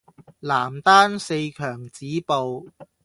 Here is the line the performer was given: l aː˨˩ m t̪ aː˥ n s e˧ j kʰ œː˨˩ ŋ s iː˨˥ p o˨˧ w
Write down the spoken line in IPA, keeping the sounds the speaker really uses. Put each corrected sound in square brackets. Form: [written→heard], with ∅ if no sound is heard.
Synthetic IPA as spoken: l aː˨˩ m t̪ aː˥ n s e˧ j kʰ œː˨˩ ŋ [s→t͡s] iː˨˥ p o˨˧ w